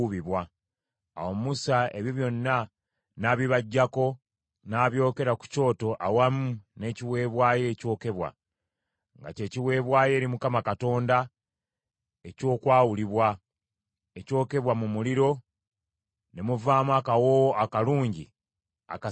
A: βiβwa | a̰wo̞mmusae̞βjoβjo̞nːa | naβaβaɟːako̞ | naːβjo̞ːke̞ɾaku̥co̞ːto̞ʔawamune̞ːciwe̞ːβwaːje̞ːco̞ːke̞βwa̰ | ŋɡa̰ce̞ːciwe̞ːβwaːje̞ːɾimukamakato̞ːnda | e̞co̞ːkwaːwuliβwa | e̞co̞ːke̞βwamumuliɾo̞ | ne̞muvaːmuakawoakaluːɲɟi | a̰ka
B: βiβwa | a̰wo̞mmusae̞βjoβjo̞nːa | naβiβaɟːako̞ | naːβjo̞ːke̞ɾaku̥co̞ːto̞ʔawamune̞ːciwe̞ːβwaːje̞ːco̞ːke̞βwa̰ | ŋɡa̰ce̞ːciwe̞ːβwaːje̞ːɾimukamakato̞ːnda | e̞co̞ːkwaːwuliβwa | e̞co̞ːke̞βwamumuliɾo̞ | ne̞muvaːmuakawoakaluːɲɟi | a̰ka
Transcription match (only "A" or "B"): B